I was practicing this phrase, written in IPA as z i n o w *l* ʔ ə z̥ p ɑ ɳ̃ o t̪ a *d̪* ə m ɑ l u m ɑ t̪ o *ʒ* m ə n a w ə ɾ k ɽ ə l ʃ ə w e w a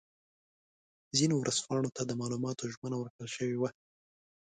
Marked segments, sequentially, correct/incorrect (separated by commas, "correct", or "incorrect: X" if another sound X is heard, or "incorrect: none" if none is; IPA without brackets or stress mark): incorrect: ɾ, correct, correct